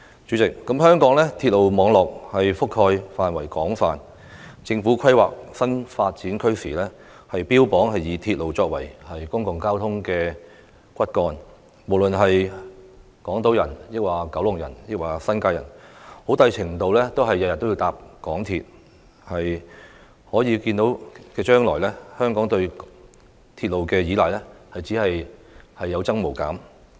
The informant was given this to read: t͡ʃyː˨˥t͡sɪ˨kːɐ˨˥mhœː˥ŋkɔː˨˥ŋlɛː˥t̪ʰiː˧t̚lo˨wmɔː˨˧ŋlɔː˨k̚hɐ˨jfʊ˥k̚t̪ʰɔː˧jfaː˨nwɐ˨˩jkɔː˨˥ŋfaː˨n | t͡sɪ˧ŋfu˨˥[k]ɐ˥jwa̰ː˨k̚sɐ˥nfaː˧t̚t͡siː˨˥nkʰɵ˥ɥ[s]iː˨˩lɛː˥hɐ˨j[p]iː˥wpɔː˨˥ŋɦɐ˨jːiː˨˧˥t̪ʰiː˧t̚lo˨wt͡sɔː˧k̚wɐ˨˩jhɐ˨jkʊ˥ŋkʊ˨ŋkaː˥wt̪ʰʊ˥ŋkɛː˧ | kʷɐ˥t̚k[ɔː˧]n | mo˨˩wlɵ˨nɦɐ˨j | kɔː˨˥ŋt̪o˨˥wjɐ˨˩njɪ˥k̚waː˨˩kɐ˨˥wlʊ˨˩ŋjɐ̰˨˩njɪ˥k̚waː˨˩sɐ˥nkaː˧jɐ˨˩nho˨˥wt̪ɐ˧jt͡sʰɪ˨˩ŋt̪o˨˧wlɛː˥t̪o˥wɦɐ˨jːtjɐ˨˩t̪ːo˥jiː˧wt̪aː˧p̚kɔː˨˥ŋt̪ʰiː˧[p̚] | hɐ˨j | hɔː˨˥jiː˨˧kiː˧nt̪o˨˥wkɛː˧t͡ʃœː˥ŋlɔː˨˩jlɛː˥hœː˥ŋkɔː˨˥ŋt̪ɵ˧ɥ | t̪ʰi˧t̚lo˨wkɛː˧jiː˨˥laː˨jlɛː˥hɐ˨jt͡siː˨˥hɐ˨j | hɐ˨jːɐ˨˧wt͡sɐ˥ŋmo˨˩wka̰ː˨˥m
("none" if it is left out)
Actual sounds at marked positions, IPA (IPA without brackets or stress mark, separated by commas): kʰ, s, p, ɔː˧, t̚